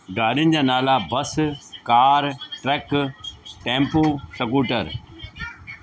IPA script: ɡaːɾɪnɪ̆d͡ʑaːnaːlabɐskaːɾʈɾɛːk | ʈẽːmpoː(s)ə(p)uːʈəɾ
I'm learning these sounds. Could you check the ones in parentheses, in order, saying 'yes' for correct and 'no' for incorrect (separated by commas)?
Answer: yes, no